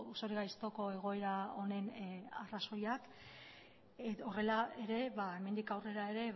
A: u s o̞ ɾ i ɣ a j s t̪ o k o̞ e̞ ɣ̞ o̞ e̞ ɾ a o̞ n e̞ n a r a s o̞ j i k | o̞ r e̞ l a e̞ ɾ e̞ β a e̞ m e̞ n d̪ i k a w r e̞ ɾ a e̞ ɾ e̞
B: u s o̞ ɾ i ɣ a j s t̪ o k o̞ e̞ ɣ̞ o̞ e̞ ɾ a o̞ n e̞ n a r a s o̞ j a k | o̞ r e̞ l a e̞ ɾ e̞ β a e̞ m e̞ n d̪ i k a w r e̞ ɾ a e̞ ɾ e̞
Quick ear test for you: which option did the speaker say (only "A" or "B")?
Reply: B